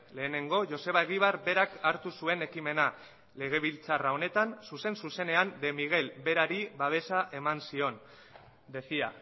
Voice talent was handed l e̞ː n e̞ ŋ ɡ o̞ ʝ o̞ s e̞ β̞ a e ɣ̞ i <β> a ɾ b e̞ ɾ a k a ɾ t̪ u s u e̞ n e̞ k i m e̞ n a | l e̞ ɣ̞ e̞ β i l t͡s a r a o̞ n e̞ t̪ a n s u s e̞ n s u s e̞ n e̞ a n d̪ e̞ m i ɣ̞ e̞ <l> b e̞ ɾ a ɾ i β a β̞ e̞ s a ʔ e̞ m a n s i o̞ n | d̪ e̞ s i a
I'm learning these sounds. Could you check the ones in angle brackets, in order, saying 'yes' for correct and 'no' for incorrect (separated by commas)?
yes, yes